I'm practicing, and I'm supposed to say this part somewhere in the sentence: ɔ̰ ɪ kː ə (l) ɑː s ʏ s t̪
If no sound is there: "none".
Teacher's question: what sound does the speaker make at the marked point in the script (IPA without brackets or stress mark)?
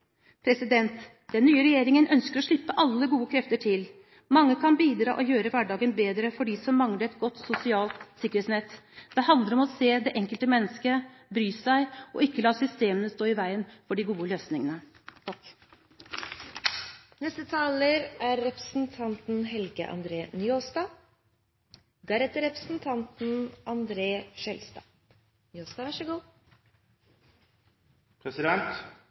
l